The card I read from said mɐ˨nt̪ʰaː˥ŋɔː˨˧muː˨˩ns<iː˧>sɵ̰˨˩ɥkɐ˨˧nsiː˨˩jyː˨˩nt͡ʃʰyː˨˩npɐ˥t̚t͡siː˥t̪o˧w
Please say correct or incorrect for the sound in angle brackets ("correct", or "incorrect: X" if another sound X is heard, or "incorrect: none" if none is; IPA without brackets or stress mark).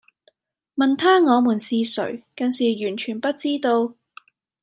correct